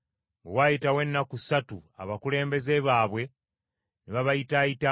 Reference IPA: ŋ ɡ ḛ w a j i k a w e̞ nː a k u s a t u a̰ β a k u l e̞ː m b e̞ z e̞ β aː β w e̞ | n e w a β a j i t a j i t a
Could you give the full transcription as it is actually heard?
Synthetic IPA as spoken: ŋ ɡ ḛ w a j i t a w e̞ nː a k u s a t u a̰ β a k u l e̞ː m b e̞ z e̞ β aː β w e̞ | n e β a β a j i t a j i t a

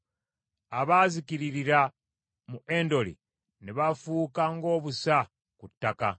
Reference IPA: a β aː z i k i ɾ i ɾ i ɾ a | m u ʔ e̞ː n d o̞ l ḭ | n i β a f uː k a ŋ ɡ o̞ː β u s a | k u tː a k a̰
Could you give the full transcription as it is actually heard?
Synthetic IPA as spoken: a β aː z i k i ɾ i ɾ i ɾ a | m u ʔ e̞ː n d o̞ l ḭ | n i β a f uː k a ŋ ɡ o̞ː β u s a | k u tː a k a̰

